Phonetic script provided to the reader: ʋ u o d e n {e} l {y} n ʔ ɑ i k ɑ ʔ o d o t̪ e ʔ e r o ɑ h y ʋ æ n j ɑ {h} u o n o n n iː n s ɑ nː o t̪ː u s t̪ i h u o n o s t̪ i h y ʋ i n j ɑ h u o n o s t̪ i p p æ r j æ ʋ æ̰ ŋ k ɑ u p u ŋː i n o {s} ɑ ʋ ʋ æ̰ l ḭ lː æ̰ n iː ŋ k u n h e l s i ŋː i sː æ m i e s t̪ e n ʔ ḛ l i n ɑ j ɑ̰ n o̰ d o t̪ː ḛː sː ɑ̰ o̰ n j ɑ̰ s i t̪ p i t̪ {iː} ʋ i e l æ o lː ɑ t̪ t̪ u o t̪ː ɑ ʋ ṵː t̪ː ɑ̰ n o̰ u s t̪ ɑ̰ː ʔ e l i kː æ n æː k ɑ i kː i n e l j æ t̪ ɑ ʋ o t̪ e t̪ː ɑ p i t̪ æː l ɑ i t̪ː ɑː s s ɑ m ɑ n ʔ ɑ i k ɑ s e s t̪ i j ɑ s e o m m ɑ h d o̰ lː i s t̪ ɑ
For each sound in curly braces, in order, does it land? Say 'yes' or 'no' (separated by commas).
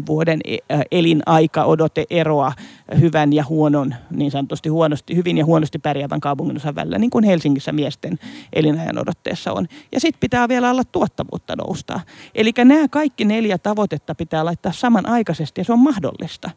yes, no, yes, yes, no